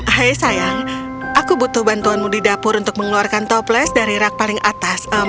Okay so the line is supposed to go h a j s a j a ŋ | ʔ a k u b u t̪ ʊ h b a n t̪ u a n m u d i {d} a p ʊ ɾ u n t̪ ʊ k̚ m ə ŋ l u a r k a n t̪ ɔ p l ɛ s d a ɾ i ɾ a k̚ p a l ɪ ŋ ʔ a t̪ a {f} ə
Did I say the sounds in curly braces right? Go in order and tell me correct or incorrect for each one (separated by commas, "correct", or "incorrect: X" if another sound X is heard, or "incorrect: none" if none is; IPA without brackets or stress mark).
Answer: correct, incorrect: s